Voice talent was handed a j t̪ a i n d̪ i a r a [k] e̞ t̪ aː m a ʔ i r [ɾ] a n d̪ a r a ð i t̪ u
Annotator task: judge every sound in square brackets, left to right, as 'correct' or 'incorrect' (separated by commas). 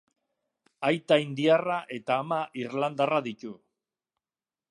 incorrect, incorrect